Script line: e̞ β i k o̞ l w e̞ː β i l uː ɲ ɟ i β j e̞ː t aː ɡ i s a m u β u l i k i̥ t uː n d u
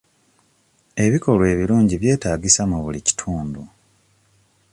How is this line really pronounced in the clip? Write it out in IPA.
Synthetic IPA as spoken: e̞ β i k o̞ l w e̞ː β i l uː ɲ ɟ i β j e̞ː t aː ɡ i s a m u β u l i c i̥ tʰ uː n d u